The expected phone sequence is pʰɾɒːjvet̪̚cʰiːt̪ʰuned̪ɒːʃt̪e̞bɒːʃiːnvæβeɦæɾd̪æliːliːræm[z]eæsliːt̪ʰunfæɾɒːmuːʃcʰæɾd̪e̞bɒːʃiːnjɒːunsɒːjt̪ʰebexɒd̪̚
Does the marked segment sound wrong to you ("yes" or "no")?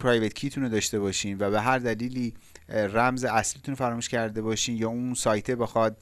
no